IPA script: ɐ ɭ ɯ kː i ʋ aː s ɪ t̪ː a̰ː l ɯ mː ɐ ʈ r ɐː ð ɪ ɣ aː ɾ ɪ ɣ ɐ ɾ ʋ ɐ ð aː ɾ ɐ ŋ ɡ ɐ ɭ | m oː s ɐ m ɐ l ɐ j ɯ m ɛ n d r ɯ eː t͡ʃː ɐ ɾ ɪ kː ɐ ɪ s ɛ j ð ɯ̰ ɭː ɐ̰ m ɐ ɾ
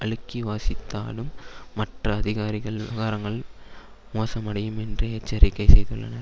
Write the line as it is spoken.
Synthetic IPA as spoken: ɐ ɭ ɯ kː i ʋ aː s ɪ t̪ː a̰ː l ɯ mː ɐ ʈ r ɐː ð ɪ ɣ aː ɾ ɪ ɣ ɐ ɭ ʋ ɐ ɣ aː ɾ ɐ ŋ ɡ ɐ ɭ | m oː s ɐ m ɐ ɽ ɐ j ɯ m ɛ n d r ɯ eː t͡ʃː ɐ ɾ ɪ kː ɐ ɪ s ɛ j ð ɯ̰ ɭː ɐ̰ n ɐ ɾ